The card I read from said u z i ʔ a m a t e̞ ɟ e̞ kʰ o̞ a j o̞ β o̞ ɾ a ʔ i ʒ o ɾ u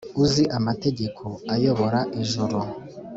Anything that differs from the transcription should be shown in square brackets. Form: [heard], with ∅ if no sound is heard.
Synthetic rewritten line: u z i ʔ a m a t e̞ ɟ e̞ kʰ o̞ a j o̞ β o̞ ɾ a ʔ i ʒ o ɾ [o]